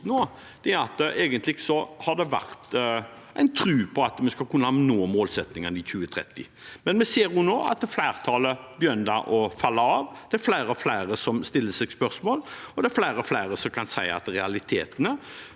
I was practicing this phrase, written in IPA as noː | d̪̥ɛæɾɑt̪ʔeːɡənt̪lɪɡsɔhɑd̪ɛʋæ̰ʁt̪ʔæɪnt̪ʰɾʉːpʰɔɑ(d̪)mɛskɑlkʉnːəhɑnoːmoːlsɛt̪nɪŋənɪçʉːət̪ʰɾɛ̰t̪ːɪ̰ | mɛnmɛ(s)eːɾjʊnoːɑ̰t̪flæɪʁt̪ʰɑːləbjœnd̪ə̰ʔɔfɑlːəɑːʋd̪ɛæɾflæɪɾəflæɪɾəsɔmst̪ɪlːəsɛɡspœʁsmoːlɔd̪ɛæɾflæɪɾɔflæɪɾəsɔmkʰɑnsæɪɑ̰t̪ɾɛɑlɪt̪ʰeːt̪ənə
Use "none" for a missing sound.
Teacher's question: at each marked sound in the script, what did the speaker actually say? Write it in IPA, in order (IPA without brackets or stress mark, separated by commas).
t̪, s